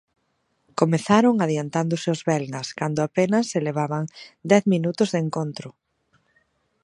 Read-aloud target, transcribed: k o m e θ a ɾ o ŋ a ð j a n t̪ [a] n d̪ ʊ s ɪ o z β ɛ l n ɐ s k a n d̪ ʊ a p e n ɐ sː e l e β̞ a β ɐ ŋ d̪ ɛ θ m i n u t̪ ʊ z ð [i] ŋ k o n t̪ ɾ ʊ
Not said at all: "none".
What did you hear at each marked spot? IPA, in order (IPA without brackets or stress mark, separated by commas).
a, e